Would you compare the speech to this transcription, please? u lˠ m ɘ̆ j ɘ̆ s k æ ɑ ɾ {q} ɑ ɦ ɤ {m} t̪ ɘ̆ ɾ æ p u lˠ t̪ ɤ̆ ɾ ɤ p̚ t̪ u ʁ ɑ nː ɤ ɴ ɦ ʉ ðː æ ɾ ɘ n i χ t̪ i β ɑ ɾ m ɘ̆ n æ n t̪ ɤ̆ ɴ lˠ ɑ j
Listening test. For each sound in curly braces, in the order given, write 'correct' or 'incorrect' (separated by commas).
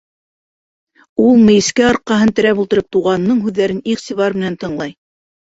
correct, incorrect